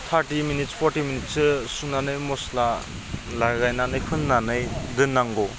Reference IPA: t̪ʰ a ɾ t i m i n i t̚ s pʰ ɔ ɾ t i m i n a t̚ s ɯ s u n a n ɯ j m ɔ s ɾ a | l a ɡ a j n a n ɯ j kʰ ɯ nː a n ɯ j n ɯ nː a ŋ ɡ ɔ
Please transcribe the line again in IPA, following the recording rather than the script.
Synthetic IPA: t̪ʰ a ɾ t i m i n i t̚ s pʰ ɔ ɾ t i m i n i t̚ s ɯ s u n a n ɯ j m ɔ s l a | l a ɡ a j n a n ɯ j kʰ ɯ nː a n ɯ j d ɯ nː a ŋ ɡ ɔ

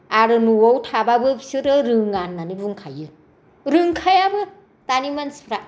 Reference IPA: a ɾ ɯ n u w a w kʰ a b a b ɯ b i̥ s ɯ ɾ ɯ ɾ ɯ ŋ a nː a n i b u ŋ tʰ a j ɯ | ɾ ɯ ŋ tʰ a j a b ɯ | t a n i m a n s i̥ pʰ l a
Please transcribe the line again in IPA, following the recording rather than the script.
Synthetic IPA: a ɾ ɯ n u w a w tʰ a b a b ɯ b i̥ s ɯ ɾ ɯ ɾ ɯ ŋ a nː a n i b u ŋ kʰ a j ɯ | ɾ ɯ ŋ kʰ a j a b ɯ | t a n i m a n s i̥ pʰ ɾ a

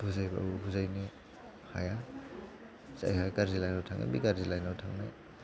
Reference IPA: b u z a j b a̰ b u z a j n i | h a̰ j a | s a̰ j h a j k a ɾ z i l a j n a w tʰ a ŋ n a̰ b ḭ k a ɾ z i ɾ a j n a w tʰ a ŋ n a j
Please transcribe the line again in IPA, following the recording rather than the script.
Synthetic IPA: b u z a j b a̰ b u z a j n i | h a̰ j a | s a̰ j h a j k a ɾ z i l a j n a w tʰ a ŋ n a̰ b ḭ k a ɾ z i l a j n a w tʰ a ŋ n a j

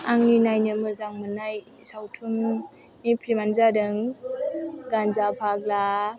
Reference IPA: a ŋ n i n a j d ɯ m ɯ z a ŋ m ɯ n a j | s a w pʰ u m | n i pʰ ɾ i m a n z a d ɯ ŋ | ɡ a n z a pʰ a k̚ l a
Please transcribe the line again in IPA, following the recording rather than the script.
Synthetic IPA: a ŋ n i n a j n ɯ m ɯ z a ŋ m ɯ n a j | s a w tʰ u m | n i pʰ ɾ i m a n z a d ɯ ŋ | ɡ a n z a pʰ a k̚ l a

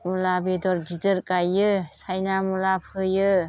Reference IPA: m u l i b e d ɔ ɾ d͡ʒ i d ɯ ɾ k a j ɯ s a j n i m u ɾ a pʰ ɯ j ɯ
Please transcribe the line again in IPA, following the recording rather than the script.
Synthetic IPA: m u l a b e d ɔ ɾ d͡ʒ i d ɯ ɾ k a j ɯ s a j n a m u l a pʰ ɯ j ɯ

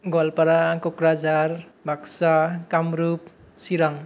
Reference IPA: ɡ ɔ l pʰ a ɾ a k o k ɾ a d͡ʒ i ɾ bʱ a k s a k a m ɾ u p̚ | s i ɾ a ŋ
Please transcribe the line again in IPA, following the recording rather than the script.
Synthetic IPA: ɡ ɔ l p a ɾ a k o k ɾ a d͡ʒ a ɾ bʱ a k s a k a m ɾ u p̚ | s i ɾ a ŋ

